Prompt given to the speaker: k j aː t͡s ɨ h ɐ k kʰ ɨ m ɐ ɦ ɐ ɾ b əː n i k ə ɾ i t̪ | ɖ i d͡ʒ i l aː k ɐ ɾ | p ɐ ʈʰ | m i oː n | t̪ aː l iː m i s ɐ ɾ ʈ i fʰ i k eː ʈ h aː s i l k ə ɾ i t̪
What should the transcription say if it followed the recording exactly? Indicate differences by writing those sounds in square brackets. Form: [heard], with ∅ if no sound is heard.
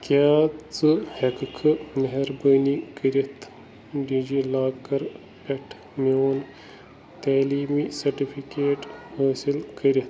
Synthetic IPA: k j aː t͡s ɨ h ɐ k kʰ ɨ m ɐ ɦ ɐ ɾ b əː n i k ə ɾ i t̪ | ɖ i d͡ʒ i l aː k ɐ ɾ | p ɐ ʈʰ | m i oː n | t̪ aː l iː m i s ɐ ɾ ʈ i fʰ i k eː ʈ h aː s i l k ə ɾ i t̪